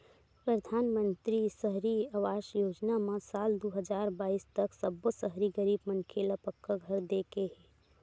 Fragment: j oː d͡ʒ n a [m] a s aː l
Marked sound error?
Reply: no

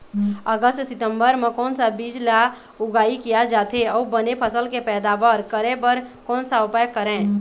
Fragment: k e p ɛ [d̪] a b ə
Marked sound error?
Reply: no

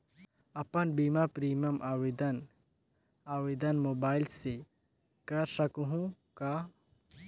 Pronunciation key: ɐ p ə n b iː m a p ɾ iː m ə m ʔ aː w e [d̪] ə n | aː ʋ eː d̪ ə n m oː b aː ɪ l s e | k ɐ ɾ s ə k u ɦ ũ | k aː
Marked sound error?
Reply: no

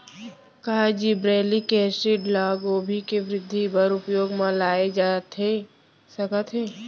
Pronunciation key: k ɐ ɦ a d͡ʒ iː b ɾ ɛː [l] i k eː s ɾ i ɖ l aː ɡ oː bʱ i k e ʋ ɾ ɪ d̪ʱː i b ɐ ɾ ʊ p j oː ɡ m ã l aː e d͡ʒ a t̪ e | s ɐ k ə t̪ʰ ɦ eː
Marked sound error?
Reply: no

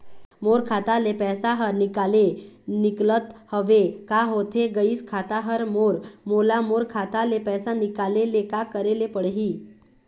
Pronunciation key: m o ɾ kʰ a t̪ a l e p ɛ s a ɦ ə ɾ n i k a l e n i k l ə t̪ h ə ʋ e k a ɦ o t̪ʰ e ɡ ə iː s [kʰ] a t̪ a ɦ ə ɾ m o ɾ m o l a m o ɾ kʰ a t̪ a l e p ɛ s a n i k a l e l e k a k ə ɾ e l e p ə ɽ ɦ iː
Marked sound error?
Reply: no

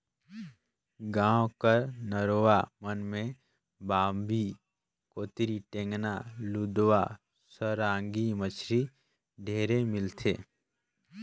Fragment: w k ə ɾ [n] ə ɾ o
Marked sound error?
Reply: no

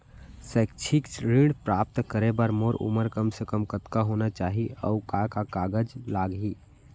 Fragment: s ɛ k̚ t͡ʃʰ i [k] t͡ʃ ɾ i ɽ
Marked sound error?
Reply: no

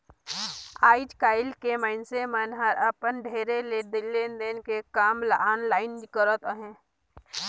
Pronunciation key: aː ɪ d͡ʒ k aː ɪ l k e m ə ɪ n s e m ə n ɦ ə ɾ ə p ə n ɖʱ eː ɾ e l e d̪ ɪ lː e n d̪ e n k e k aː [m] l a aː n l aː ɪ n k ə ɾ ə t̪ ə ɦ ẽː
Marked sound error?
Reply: no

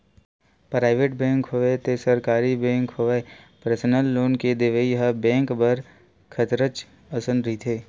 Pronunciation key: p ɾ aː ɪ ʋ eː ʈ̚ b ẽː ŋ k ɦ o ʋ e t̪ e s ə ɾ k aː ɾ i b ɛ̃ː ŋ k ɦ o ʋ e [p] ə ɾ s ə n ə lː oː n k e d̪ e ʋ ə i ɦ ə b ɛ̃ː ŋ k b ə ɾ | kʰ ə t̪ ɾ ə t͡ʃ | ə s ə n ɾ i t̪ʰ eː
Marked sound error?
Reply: no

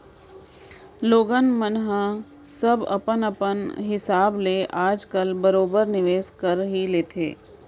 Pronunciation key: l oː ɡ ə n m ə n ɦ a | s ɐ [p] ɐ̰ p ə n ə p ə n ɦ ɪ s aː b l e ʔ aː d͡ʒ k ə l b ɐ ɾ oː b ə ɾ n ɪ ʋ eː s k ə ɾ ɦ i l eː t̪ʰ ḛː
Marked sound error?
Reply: yes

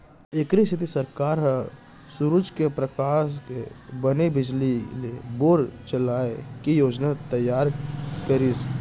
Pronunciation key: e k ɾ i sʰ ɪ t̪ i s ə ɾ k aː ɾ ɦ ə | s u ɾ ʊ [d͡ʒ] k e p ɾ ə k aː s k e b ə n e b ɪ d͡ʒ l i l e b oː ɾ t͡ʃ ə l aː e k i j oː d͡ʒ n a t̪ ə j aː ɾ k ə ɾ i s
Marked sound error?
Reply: no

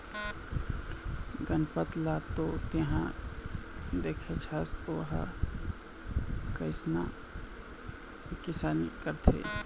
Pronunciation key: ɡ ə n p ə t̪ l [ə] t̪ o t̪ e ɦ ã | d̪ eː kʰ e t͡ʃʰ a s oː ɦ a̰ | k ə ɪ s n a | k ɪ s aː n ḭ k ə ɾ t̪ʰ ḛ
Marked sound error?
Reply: yes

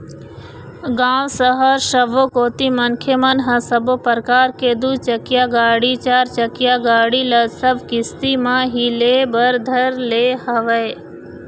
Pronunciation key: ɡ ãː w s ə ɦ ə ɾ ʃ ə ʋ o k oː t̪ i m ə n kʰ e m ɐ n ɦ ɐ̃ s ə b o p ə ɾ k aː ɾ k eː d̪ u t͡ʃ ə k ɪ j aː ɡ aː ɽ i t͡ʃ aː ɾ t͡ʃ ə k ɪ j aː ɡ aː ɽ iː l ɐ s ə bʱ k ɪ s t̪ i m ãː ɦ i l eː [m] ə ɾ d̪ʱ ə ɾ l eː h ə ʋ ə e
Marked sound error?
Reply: yes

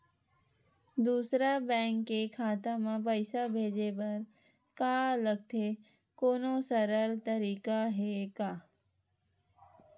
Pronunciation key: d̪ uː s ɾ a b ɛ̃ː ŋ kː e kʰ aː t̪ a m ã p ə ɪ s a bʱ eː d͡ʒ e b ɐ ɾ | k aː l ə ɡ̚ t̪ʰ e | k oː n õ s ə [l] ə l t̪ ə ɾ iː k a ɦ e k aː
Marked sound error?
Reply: yes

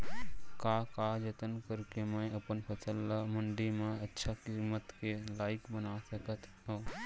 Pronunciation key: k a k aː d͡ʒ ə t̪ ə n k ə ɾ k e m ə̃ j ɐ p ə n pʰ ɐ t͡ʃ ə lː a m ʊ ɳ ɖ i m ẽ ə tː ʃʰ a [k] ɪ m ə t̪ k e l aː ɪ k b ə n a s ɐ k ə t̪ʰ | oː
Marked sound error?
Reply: no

